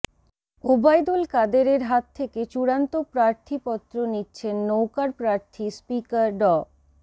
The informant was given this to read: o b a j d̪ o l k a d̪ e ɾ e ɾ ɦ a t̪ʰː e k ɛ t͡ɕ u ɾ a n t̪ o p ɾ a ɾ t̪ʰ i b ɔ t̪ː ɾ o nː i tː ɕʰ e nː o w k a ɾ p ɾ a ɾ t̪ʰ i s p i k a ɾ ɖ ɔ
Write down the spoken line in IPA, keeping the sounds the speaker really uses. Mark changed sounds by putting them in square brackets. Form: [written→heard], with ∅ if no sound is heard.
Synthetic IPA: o b a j d̪ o l k a d̪ e ɾ e ɾ ɦ a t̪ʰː e k [ɛ→e] t͡ɕ u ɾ a n t̪ o p ɾ a ɾ t̪ʰ i [b→p] ɔ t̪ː ɾ o [nː→n] i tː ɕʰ e nː o w k a ɾ p ɾ a ɾ t̪ʰ i s p i k a ɾ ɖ ɔ